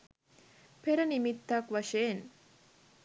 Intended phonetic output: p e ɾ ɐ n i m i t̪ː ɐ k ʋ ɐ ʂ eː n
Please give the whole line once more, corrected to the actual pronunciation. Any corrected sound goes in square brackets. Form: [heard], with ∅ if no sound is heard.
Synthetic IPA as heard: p e ɾ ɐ n i m i t̪ː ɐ k ʋ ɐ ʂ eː n